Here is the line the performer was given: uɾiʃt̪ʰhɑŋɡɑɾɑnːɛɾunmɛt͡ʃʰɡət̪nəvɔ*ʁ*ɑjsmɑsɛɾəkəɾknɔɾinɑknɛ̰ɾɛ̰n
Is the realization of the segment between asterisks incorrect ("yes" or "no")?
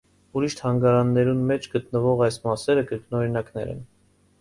no